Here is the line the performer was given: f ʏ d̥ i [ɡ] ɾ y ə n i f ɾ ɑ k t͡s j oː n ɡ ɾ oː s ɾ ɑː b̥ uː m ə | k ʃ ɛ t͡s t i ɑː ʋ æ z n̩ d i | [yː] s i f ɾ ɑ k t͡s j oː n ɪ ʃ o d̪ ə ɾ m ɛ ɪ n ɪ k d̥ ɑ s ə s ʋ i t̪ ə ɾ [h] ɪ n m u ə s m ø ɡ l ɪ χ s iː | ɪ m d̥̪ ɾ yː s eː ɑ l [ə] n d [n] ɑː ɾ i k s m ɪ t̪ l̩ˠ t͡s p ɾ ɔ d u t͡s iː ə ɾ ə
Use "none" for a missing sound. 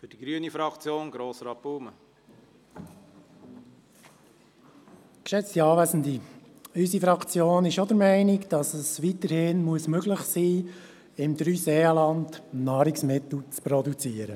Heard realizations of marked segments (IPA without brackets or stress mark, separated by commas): ɡ, y, h, ɑ, n